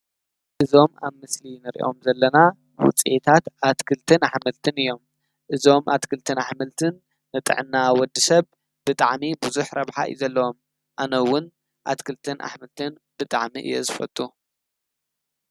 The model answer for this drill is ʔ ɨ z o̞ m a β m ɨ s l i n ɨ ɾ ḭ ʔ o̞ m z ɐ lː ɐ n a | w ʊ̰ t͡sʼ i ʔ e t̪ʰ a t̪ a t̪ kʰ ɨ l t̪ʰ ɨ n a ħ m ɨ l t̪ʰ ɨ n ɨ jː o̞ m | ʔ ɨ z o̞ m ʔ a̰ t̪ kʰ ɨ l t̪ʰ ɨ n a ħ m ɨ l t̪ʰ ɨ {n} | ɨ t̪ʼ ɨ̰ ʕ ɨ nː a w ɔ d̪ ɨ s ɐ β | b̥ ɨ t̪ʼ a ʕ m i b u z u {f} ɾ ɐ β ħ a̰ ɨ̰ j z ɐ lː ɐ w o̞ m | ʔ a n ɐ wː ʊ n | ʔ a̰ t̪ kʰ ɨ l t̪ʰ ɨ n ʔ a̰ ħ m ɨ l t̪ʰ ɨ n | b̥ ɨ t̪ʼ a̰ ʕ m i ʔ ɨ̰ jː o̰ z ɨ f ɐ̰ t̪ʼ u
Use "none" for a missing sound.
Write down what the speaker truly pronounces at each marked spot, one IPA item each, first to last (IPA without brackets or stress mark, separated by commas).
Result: nː, ħ